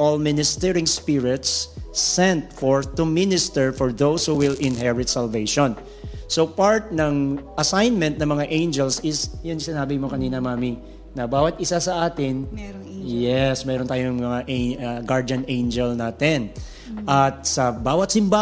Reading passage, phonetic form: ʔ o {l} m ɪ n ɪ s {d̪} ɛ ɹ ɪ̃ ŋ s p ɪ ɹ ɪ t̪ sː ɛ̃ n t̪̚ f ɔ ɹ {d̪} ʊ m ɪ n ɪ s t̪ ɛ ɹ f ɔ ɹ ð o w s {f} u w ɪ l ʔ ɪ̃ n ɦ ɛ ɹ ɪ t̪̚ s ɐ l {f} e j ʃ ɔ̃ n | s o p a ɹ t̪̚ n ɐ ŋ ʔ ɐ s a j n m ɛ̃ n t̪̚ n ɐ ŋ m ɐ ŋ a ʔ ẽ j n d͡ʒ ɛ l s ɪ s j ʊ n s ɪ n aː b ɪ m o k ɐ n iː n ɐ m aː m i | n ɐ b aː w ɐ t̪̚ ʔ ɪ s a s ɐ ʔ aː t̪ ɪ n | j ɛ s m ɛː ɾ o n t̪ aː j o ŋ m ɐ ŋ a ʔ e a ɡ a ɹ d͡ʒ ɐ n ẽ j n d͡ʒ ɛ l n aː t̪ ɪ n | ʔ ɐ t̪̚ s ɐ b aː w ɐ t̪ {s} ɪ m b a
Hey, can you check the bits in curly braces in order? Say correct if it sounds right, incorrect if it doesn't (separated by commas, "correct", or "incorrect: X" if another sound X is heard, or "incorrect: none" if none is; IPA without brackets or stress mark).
correct, incorrect: t̪, incorrect: t̪, incorrect: h, incorrect: v, correct